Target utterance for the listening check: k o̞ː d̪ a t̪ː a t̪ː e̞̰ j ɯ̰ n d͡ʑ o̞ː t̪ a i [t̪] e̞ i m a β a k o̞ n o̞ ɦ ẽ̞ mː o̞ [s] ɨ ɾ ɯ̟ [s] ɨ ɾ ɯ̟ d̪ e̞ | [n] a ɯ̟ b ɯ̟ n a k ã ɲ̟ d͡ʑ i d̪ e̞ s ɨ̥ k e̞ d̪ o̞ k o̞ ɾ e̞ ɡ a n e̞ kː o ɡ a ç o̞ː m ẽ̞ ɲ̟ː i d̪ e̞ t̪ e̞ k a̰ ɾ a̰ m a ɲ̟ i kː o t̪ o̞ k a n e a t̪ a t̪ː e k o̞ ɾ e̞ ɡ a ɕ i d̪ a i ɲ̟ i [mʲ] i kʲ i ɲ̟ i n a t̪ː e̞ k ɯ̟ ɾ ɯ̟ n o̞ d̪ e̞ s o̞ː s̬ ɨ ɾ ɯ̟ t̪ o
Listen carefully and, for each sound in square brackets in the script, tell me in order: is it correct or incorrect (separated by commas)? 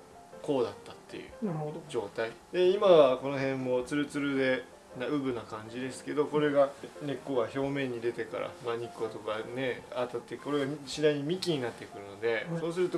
incorrect, incorrect, incorrect, correct, correct